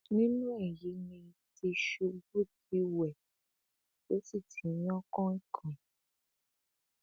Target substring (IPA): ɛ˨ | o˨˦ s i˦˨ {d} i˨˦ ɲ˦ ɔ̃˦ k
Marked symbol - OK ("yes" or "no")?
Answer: no